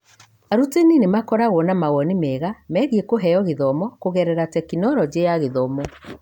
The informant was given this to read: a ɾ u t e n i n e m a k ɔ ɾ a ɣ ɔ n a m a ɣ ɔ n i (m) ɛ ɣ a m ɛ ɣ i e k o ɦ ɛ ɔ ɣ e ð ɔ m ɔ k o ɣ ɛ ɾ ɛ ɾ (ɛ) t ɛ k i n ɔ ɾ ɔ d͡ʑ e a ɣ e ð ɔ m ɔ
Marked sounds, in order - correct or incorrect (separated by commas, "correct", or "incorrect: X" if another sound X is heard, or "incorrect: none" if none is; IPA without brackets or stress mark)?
correct, incorrect: a